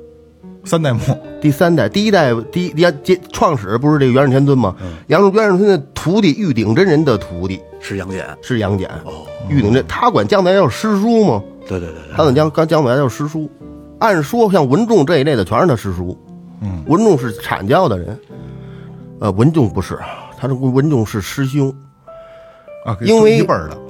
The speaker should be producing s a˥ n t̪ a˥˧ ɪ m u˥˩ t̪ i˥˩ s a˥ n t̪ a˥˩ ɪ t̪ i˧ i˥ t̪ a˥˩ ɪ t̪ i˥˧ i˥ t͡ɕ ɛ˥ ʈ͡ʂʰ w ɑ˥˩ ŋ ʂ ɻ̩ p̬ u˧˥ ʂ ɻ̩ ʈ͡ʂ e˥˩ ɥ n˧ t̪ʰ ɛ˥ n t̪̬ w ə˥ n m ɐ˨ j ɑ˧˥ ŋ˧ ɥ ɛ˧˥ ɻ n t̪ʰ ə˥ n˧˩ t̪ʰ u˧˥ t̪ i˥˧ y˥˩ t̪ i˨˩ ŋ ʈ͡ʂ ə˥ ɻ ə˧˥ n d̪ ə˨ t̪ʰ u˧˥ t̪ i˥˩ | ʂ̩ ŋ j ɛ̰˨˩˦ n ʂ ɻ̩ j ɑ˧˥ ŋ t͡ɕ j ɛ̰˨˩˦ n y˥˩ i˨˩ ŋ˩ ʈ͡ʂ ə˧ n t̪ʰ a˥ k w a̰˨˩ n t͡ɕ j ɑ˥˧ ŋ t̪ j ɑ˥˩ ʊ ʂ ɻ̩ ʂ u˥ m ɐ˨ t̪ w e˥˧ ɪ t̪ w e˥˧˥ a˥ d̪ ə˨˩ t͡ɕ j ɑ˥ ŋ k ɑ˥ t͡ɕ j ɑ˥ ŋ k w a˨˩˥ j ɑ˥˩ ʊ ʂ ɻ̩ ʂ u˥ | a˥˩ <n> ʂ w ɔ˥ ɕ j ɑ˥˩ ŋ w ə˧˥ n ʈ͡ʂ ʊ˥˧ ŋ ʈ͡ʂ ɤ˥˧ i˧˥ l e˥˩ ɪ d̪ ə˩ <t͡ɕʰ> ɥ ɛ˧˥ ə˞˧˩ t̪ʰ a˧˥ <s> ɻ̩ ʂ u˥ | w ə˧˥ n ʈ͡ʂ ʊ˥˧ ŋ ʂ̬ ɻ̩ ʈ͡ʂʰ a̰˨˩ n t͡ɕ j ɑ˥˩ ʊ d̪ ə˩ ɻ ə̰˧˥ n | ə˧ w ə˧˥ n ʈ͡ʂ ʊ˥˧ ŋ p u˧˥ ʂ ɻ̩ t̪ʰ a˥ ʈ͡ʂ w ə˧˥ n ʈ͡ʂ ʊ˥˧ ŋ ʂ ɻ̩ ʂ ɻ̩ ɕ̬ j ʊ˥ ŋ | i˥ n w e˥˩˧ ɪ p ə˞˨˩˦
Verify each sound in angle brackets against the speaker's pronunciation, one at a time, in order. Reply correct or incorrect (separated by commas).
correct, correct, incorrect